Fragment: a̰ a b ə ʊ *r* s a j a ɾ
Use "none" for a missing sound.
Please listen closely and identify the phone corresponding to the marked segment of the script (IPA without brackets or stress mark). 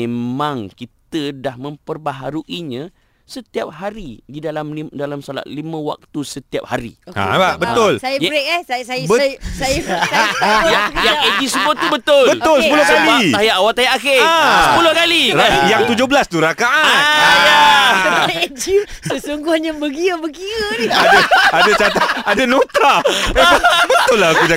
l